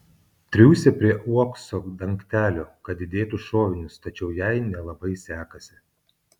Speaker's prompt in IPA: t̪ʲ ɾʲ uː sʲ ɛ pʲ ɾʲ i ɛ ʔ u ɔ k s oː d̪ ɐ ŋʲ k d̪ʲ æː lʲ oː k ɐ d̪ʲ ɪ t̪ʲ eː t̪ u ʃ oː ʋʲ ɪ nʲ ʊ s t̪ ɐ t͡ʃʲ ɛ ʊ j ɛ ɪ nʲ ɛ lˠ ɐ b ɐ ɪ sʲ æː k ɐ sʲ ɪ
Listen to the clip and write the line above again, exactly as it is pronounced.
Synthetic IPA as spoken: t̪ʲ ɾʲ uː sʲ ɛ pʲ ɾʲ i ɛ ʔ u ɔ k s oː d̪ ɐ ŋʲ k t̪ʲ æː lʲ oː k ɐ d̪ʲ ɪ d̪ʲ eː t̪ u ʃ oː ʋʲ ɪ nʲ ʊ s t̪ ɐ t͡ʃʲ ɛ ʊ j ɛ ɪ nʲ ɛ lˠ ɐ b ɐ ɪ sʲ æː k ɐ sʲ ɪ